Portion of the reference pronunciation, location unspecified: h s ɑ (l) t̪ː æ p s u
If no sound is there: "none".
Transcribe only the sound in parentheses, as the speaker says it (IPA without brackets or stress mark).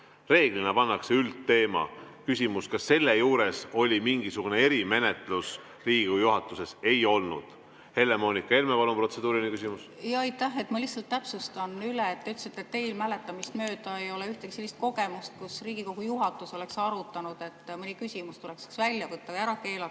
l